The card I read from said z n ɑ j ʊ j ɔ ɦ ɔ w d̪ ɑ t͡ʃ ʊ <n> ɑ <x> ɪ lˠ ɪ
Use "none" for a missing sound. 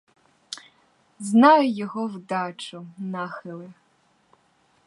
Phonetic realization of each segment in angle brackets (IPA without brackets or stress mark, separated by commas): n, x